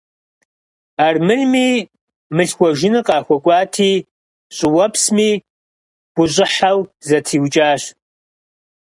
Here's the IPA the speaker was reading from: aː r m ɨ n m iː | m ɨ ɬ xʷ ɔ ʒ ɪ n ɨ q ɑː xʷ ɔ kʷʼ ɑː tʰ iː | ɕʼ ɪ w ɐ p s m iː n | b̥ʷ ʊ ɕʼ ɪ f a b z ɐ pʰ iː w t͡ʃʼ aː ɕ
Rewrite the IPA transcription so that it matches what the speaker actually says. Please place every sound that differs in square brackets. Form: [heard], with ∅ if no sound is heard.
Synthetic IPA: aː r m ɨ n m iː | m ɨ ɬ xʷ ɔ ʒ ɪ n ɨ q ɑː xʷ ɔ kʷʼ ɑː tʰ iː | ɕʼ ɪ w ɐ p s m iː [∅] | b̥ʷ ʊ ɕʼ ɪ [ħ] a [w] z ɐ [tʰ] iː w t͡ʃʼ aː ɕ